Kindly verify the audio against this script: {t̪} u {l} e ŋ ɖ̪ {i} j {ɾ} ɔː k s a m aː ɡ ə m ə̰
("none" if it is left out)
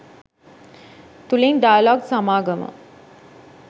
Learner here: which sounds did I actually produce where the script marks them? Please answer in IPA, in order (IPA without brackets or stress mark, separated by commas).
t̪, l, a, l